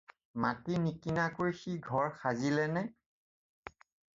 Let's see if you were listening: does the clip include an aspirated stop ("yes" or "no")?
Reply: no